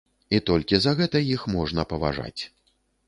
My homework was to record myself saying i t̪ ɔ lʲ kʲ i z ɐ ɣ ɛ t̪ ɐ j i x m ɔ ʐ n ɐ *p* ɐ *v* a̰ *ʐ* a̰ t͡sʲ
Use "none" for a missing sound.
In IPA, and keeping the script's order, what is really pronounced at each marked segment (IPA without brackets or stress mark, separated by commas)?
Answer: p, v, ʐ